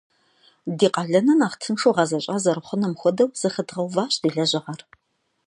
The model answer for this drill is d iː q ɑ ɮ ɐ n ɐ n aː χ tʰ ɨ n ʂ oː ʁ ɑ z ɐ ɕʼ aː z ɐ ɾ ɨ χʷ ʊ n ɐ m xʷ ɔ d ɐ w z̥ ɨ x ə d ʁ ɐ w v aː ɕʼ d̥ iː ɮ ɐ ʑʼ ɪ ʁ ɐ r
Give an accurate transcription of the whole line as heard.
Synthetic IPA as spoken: d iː q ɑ ɮ ɐ n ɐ n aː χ tʰ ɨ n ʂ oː ʁ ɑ z ɐ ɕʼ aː z ɐ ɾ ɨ χʷ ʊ n ɐ m xʷ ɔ d ɐ w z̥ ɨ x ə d ʁ ɐ w v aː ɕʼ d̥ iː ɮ ɐ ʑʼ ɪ ʁ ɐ r